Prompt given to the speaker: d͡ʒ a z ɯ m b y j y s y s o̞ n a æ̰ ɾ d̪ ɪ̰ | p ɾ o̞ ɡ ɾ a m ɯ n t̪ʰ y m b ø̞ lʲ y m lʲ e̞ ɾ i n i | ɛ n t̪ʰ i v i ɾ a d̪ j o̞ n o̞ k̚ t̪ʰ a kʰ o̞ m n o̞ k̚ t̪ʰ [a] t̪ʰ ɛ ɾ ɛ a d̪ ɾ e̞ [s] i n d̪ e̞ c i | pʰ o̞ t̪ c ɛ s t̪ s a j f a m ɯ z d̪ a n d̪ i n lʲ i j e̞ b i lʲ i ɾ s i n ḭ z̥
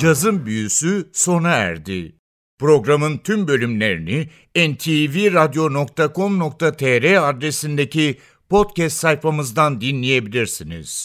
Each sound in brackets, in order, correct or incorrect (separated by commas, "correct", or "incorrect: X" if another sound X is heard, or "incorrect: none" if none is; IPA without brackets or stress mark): correct, correct